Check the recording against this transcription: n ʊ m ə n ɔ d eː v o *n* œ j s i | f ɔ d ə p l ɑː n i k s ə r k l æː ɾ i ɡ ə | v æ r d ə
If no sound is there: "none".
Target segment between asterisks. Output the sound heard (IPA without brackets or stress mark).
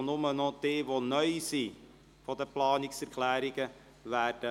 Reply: n